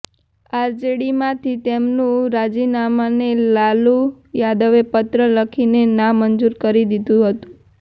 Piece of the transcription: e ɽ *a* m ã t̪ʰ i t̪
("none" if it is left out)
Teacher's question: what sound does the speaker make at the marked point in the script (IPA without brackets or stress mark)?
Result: i